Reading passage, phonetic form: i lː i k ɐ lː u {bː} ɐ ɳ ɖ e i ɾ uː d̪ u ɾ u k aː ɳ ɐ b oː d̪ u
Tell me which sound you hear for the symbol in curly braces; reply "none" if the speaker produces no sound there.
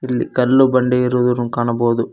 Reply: b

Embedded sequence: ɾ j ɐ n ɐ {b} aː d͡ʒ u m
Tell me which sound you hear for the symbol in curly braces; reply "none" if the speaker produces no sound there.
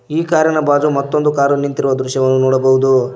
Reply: b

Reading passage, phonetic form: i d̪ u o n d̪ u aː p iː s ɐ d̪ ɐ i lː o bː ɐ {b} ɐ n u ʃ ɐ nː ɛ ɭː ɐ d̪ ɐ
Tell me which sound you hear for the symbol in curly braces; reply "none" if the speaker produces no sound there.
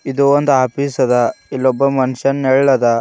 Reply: m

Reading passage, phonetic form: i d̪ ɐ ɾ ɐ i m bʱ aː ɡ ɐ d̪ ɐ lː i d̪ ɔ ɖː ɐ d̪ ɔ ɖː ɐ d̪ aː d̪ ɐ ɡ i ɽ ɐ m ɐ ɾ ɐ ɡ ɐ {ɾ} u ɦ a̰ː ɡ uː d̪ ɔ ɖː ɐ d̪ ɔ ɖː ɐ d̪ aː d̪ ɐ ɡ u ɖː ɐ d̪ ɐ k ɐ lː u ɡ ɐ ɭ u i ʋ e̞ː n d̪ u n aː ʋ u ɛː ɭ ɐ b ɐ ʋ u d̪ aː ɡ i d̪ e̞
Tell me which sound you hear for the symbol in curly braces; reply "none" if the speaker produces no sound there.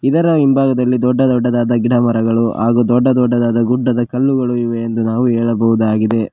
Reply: ɭ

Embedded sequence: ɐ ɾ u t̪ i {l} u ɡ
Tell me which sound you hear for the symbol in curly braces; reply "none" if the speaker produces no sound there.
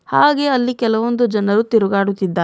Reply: ɾ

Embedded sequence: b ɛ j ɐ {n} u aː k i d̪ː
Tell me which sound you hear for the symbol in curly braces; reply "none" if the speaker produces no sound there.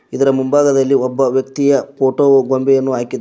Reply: nː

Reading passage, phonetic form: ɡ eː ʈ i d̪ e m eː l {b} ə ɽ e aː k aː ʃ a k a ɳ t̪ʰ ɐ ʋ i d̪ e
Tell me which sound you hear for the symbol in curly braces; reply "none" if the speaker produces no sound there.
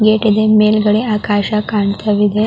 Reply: ɡ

